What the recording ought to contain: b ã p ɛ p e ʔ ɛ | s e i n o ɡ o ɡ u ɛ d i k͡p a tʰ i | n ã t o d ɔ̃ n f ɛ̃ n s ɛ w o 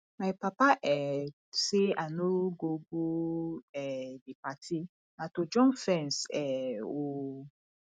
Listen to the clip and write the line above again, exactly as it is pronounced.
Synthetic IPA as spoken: m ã p a p a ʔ ɛ | s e a n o ɡ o ɡ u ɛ d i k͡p a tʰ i | n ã t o d͡ʒ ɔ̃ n f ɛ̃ n s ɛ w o